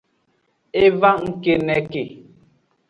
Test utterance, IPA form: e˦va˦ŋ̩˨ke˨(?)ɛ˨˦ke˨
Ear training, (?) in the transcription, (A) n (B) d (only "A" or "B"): A